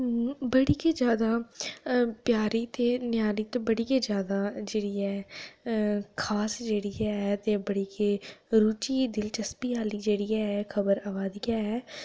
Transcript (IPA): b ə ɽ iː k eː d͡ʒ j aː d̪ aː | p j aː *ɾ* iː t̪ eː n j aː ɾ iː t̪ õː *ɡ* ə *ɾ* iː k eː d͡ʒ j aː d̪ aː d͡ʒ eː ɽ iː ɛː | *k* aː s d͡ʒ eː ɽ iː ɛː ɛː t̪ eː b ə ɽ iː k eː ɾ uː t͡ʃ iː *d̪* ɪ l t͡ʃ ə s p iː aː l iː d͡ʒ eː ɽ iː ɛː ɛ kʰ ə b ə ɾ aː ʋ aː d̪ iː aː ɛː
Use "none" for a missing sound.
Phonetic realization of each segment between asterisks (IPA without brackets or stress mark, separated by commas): ɾ, b, ɽ, kʰ, d̪